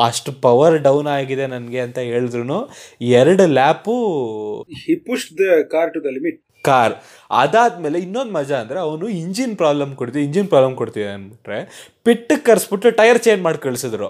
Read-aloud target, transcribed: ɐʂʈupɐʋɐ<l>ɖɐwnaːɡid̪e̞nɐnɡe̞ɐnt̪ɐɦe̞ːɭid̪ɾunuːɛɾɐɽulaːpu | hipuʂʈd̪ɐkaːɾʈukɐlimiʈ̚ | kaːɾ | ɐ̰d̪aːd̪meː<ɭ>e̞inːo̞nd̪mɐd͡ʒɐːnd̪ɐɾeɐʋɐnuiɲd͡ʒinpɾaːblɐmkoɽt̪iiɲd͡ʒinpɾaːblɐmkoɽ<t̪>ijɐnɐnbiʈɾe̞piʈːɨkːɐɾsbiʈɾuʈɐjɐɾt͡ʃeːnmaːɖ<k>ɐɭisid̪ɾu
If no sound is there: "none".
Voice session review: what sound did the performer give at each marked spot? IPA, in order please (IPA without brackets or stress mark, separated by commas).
ɾ, l, t̪, k